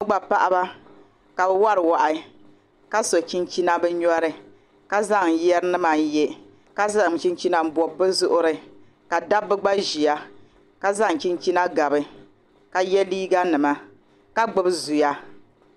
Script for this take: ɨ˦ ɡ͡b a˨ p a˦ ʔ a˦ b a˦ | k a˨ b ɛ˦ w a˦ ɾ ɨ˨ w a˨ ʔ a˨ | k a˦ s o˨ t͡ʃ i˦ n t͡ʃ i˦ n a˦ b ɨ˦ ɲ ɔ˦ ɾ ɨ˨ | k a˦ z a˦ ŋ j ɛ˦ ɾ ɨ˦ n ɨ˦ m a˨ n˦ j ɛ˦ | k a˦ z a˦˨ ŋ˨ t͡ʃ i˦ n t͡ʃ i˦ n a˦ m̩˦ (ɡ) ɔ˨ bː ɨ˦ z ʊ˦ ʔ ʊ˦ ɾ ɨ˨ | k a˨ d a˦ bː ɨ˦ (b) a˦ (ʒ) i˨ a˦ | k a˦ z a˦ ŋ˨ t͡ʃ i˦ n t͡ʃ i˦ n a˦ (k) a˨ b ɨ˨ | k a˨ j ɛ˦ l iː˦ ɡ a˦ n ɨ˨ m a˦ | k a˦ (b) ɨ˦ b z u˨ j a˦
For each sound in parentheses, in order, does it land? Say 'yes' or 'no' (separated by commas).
no, no, yes, no, no